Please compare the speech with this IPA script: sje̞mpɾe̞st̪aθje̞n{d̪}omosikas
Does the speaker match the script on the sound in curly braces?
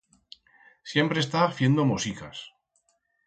yes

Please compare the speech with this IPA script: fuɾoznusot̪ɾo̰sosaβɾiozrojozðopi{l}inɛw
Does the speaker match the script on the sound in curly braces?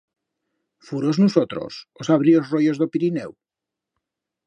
no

